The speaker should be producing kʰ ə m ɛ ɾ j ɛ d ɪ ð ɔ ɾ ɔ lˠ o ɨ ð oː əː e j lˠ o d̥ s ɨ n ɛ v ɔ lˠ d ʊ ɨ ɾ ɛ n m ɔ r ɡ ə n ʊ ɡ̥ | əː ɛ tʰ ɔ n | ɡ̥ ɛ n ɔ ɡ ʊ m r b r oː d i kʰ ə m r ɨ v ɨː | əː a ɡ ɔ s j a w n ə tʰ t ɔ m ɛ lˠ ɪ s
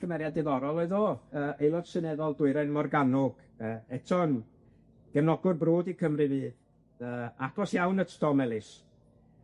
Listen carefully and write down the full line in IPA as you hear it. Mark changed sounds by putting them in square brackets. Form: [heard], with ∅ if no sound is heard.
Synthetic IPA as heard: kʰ ə m ɛ ɾ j [a] d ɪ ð ɔ ɾ ɔ lˠ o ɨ ð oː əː e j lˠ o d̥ s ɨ n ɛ [ð] ɔ lˠ d ʊ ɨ ɾ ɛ n m ɔ r ɡ [a] n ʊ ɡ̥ | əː ɛ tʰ ɔ n | ɡ̥ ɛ n ɔ ɡ ʊ [∅] r b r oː d i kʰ ə m r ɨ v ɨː | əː a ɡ ɔ s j a w n ə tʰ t ɔ m ɛ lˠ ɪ s